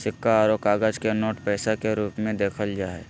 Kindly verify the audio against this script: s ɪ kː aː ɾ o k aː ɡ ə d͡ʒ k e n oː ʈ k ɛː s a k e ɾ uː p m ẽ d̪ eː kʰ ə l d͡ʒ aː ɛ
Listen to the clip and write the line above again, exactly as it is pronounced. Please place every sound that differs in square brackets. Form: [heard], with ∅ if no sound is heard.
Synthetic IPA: s ɪ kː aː ɾ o k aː ɡ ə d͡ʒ k e n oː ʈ [p] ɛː s a k e ɾ uː p m ẽ d̪ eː kʰ ə l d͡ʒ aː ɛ